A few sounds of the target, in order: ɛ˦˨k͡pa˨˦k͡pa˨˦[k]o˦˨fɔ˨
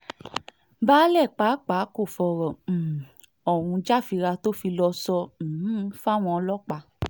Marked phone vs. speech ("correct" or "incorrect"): correct